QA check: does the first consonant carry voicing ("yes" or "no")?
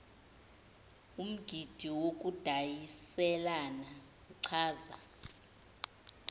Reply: yes